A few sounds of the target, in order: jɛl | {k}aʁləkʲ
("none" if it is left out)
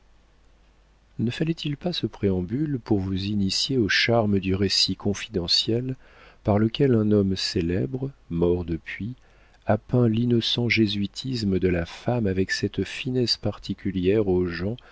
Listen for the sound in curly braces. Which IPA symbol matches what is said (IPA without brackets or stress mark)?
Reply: p